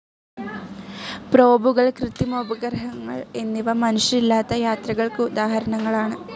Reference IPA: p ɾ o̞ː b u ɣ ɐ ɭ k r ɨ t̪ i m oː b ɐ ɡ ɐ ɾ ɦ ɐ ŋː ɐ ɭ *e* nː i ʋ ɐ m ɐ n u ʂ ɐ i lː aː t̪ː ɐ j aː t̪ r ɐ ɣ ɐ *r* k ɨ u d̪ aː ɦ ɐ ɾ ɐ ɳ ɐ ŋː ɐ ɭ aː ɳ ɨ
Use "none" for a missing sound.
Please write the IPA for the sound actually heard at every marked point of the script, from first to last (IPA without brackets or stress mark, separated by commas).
e, ɭ